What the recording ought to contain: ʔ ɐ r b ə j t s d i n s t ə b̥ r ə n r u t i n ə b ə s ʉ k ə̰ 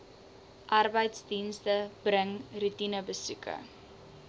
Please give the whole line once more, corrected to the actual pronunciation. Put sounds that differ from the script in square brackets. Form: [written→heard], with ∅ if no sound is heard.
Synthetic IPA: ʔ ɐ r b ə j t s d i n s t ə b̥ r ə [n→ŋ] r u t i n ə b ə s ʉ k ə̰

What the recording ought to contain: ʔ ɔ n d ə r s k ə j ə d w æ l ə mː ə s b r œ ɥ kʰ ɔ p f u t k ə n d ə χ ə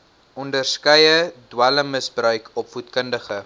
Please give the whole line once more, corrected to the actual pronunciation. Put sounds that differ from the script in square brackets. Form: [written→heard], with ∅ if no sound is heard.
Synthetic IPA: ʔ ɔ n d ə r s k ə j ə d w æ l ə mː ə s b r œ ɥ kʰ ɔ p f u t k ə n d ə χ ə

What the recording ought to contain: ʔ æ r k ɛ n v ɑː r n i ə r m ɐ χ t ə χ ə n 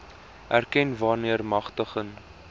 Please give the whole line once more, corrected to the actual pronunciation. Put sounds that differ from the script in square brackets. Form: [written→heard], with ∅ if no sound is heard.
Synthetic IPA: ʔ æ r k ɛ n v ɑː r n i ə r m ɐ χ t ə χ ə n

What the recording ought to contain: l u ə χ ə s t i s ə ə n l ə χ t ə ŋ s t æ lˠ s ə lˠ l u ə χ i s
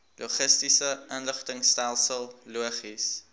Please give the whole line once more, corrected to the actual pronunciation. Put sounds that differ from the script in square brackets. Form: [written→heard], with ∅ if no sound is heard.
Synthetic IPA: l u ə χ ə s t i s ə ə n l ə χ t ə ŋ s t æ lˠ s ə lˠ l u ə χ i s

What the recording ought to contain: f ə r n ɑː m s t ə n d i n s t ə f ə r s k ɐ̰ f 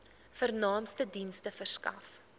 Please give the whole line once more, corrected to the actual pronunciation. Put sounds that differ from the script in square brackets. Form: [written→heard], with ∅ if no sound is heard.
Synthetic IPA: f ə r n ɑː m s t ə [n→∅] d i n s t ə f ə r s k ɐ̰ f

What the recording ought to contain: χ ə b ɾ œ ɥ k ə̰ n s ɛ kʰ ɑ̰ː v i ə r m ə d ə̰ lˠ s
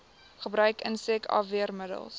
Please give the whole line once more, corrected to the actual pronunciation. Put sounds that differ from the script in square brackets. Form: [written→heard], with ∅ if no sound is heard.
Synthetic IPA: χ ə b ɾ œ ɥ k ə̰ n s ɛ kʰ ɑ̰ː v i ə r m ə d ə̰ lˠ s

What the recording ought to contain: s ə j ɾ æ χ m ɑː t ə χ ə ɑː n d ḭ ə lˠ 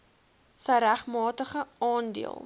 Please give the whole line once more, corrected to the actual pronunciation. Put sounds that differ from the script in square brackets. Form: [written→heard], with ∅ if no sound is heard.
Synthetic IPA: s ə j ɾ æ χ m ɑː t ə χ ə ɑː n d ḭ ə lˠ

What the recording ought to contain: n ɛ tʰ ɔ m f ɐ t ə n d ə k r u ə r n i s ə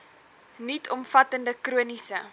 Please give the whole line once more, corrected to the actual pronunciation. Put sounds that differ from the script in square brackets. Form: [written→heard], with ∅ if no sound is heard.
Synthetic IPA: n [ɛ→i] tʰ ɔ m f ɐ t ə n d ə k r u ə [r→∅] n i s ə

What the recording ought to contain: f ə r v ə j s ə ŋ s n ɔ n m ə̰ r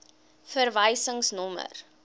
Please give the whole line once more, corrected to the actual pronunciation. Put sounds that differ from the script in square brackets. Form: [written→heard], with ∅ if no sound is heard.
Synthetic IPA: f ə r v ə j s ə ŋ s n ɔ [n→∅] m ə̰ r

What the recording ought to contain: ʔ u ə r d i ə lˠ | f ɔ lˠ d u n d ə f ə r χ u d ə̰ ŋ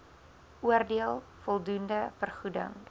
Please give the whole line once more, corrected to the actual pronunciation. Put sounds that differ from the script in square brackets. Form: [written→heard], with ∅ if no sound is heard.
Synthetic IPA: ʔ u ə r d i ə lˠ | f ɔ lˠ d u n d ə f ə r χ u d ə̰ ŋ

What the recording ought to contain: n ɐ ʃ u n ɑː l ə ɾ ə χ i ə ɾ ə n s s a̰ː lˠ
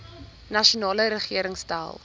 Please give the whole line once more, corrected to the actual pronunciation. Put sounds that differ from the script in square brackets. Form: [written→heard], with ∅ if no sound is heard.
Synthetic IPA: n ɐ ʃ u n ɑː l ə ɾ ə χ i ə ɾ ə [n→ŋ] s [s→t] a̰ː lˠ

